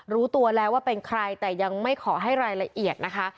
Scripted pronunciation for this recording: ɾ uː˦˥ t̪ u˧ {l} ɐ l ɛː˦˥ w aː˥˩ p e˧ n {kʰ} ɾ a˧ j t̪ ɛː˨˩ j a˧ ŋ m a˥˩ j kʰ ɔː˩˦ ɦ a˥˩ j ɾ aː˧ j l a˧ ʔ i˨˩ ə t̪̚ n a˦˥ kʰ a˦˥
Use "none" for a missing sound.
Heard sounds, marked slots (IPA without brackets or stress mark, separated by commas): none, kʰ